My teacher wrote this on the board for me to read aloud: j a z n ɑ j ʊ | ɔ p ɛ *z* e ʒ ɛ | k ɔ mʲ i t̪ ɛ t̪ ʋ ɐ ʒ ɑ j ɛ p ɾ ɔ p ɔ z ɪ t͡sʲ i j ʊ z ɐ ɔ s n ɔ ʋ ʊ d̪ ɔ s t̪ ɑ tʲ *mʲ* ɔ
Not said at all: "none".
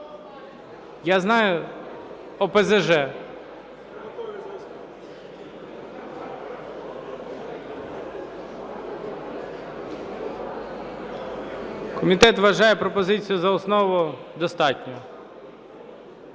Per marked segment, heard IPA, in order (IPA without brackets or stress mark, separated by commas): z, nʲ